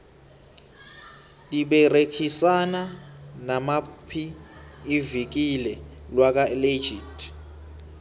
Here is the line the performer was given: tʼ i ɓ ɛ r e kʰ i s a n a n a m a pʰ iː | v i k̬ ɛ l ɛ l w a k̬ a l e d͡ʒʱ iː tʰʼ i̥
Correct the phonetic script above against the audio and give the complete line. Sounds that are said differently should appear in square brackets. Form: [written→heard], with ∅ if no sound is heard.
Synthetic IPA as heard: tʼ i ɓ ɛ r e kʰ i s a n a n a m a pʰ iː | v i k̬ [ɛ→i] l ɛ l w a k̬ a l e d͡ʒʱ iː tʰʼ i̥